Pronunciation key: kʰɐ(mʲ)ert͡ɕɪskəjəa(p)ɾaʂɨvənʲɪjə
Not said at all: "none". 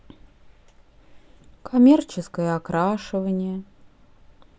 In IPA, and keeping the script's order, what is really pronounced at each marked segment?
mʲ, k

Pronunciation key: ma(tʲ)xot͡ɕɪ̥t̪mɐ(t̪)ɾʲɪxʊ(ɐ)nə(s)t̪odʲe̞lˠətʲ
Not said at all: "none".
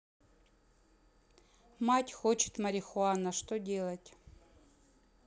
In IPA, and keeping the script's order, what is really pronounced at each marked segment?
tʲ, none, a, ʂ

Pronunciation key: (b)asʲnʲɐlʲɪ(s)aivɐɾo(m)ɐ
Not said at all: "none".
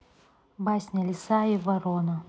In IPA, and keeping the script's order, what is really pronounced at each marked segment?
b, s, n

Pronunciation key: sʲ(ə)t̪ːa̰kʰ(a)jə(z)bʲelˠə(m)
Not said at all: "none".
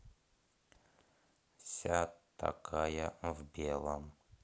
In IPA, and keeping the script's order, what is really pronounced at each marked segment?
a, a, v, m

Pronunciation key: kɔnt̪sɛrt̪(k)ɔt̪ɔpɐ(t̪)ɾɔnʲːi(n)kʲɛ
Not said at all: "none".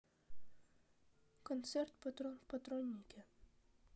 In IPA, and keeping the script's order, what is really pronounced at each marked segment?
p, t̪, none

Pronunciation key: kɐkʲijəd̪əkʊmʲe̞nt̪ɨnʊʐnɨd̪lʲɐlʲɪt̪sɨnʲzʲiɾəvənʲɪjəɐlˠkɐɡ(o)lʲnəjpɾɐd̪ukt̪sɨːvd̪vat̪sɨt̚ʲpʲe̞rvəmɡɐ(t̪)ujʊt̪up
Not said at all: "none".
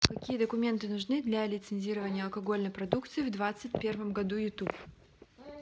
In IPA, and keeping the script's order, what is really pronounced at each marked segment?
o, d̪

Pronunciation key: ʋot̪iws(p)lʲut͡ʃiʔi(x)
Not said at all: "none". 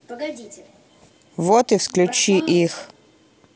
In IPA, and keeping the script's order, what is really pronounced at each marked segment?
k, x

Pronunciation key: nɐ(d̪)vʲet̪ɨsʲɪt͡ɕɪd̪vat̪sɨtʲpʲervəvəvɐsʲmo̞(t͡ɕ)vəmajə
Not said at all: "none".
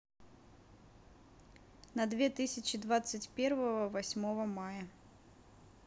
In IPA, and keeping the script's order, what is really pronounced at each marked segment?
d̪, none

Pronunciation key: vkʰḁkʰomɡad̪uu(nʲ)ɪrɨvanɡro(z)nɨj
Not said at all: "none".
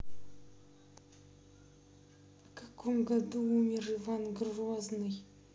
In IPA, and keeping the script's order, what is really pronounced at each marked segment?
mʲ, z

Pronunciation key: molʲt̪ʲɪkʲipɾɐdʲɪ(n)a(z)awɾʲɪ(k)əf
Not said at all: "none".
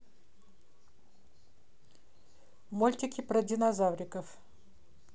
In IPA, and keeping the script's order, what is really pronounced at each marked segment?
n, z, k

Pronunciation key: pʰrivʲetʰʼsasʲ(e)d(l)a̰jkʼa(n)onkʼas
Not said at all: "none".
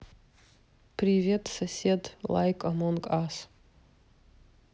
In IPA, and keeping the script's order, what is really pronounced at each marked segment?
e, l, m

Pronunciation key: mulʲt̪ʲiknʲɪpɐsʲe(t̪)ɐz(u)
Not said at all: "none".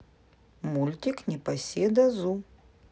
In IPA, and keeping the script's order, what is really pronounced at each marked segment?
d̪, u

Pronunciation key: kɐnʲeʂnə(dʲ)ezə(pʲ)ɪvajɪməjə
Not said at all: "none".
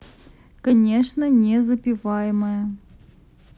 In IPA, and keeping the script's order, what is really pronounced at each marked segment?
nʲ, pʲ

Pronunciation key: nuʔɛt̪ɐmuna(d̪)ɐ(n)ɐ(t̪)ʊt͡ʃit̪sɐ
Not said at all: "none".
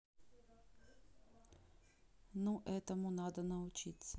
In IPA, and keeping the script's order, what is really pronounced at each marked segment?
d̪, n, none

